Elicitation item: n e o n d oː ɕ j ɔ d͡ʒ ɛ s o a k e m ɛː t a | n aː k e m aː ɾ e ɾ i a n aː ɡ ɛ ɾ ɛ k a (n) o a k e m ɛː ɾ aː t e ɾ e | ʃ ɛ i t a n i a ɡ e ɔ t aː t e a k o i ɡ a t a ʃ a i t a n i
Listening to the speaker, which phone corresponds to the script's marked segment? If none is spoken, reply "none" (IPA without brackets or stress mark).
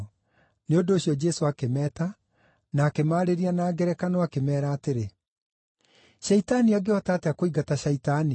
n